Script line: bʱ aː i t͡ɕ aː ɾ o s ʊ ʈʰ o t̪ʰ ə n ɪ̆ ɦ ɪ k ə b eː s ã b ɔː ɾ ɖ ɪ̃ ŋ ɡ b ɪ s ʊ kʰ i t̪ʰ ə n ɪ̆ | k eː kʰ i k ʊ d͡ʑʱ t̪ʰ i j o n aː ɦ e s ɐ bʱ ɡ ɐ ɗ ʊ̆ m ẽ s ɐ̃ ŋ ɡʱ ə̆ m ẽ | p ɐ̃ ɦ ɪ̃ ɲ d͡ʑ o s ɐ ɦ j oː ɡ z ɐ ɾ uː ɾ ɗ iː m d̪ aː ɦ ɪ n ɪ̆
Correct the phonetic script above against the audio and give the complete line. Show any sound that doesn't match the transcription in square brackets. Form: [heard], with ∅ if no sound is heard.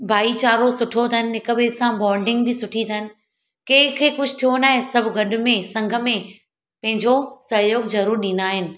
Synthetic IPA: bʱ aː i t͡ɕ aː ɾ o s ʊ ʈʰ o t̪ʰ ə n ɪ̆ ɦ ɪ k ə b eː s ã b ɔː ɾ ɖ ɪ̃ ŋ ɡ b ɪ s ʊ [ʈʰ] i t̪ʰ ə n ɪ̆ | k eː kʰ [e] k ʊ d͡ʑʱ t̪ʰ i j o n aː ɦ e s ɐ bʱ ɡ ɐ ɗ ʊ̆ m ẽ s ɐ̃ ŋ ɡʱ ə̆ m ẽ | p ɐ̃ ɦ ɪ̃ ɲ d͡ʑ o s ɐ ɦ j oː ɡ z ɐ ɾ uː ɾ ɗ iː [n] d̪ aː ɦ ɪ n ɪ̆

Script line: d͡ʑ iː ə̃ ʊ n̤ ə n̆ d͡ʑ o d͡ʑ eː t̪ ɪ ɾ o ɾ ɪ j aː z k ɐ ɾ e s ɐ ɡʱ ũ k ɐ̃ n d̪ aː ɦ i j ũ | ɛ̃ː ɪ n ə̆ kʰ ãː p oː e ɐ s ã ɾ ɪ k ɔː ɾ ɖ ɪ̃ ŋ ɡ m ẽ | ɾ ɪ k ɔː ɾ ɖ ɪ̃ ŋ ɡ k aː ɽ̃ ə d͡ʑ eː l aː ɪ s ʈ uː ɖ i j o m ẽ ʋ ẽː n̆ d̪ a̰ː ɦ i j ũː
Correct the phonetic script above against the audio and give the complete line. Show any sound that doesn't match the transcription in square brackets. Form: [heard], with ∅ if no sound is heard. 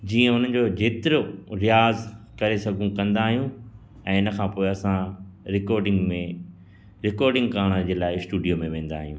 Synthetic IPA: d͡ʑ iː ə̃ ʊ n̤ ə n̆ d͡ʑ o d͡ʑ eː t̪ ɪ ɾ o ɾ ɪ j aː z k ɐ ɾ e s ɐ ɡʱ ũ k ɐ̃ n d̪ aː ɦ i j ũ | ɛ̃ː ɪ n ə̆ kʰ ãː p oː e ɐ s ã ɾ ɪ k ɔː ɾ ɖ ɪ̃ ŋ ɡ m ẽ | ɾ ɪ k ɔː ɾ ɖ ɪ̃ ŋ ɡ k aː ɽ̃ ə d͡ʑ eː l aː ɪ s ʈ uː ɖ i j o m ẽ ʋ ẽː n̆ d̪ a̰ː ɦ i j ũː

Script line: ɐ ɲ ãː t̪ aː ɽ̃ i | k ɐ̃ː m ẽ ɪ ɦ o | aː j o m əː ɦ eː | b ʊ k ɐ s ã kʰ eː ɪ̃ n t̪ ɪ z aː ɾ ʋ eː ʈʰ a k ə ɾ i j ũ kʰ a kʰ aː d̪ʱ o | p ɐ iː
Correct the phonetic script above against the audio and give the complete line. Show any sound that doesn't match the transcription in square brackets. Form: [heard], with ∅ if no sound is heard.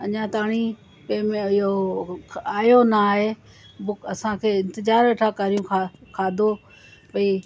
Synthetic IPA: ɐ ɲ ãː t̪ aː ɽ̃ i | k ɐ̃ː m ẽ ɪ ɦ o | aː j o [n] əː ɦ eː | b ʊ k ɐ s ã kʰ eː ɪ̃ n t̪ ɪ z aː ɾ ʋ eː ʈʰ a k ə ɾ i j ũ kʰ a kʰ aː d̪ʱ o | p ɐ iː

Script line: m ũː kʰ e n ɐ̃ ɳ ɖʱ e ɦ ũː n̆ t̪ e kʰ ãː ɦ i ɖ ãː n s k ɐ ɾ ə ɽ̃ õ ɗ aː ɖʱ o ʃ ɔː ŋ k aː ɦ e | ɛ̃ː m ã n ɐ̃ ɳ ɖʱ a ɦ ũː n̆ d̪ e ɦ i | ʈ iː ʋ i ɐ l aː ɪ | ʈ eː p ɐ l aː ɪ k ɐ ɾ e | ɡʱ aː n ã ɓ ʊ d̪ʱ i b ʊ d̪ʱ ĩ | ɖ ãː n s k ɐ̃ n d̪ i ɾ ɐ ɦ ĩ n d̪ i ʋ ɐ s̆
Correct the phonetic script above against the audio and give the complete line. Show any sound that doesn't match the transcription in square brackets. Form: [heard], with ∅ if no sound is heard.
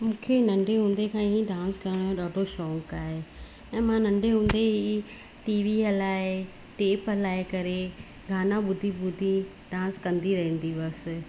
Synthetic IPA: m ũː kʰ e n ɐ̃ ɳ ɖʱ e ɦ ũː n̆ [d̪] e kʰ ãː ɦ i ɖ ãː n s k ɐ ɾ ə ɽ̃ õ ɗ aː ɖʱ o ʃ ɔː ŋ k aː ɦ e | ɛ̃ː m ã n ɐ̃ ɳ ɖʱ [e] ɦ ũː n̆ d̪ e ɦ i | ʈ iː ʋ i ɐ l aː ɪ | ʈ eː p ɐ l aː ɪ k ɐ ɾ e | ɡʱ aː n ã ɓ ʊ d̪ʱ i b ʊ d̪ʱ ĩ | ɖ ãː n s k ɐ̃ n d̪ i ɾ ɐ ɦ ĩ n d̪ i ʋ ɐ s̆

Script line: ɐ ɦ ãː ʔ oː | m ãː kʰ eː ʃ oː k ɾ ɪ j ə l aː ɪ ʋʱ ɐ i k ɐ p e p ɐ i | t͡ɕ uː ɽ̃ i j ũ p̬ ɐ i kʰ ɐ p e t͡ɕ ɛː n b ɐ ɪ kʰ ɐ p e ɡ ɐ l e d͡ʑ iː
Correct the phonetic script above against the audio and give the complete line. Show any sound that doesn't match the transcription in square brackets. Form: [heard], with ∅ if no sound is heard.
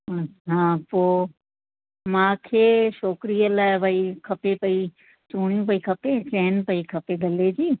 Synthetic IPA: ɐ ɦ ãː [p] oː | m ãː kʰ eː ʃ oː k ɾ [i] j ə l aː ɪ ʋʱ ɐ i [kʰ] ɐ p e p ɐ i | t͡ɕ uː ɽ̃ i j ũ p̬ ɐ i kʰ ɐ p e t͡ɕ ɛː n [p] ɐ [i] kʰ ɐ p e ɡ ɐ l e d͡ʑ iː

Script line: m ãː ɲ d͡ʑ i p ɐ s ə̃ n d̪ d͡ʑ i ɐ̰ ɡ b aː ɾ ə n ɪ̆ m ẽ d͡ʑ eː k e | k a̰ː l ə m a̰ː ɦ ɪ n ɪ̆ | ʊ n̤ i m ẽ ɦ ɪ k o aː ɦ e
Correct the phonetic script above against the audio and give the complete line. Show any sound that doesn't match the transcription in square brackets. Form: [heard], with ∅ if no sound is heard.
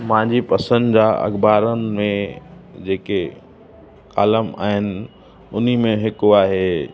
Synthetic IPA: m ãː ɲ d͡ʑ i p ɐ s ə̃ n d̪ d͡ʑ [a] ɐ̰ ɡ b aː ɾ ə n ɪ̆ m ẽ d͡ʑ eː k e | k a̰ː l ə m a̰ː ɦ ɪ n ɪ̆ | ʊ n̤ i m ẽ ɦ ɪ k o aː ɦ e

